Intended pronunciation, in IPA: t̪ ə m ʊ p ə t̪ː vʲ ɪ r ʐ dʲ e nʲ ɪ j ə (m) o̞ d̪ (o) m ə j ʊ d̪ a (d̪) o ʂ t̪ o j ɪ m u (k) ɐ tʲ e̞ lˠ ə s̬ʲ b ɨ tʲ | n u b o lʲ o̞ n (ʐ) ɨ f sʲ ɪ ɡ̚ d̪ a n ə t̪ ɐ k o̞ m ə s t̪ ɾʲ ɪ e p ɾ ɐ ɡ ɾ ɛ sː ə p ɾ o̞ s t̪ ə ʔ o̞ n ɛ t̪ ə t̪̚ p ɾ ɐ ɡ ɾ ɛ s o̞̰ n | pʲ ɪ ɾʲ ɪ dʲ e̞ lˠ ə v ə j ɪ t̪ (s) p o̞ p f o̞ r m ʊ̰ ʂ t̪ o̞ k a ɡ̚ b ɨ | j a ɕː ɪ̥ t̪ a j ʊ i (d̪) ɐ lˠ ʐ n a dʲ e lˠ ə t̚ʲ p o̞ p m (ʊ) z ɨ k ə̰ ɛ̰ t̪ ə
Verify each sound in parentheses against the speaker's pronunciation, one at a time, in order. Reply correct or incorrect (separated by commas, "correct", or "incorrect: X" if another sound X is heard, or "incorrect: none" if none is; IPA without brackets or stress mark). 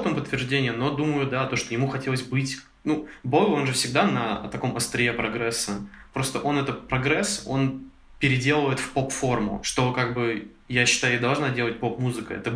incorrect: n, incorrect: u, incorrect: t̪, incorrect: x, correct, incorrect: f, correct, incorrect: u